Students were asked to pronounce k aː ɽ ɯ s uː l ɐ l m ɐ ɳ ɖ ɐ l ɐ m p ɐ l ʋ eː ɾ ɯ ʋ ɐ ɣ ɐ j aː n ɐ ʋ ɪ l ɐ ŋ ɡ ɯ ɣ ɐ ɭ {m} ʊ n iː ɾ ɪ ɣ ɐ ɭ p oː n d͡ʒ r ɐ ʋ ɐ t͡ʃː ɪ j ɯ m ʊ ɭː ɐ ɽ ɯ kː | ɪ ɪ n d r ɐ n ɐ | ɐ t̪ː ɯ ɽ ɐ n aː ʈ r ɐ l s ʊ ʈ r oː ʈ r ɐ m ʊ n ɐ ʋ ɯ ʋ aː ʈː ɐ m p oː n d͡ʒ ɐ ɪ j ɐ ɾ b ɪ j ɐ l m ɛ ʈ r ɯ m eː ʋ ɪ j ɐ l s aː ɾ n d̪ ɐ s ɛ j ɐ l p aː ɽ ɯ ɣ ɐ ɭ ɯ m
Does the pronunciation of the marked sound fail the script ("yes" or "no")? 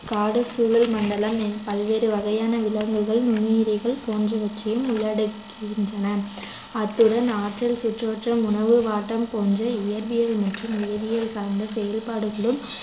yes